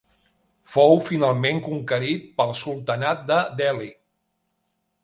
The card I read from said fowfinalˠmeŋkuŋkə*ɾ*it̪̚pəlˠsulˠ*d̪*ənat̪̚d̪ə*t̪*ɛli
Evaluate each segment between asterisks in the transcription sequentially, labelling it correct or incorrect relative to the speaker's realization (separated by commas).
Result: correct, incorrect, incorrect